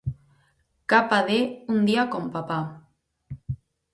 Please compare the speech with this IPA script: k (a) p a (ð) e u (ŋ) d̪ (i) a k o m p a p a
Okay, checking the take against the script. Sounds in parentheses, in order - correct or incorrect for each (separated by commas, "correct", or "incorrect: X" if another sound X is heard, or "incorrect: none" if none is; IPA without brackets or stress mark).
correct, correct, incorrect: n, correct